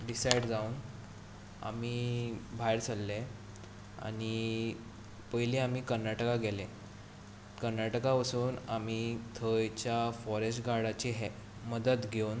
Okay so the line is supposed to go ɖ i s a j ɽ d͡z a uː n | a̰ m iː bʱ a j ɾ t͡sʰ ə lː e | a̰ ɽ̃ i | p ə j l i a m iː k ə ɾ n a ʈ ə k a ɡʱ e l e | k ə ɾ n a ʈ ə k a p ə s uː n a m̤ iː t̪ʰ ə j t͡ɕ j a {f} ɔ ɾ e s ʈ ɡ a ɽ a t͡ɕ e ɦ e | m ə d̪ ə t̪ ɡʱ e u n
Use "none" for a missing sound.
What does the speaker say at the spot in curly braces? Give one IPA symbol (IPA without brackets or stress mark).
f